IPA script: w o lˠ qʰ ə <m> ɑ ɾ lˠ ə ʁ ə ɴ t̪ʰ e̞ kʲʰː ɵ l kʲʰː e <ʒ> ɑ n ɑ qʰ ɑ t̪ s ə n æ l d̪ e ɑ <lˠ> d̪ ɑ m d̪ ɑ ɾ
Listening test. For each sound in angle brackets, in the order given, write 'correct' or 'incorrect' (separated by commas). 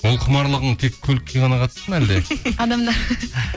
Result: correct, incorrect, incorrect